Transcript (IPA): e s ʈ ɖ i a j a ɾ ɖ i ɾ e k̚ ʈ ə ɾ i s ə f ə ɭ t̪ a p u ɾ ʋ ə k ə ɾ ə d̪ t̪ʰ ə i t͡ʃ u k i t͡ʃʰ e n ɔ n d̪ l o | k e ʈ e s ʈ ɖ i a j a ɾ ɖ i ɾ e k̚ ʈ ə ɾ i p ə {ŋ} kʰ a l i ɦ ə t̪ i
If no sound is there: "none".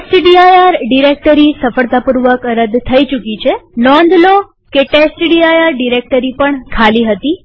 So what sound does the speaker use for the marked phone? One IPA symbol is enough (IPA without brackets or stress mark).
ɳ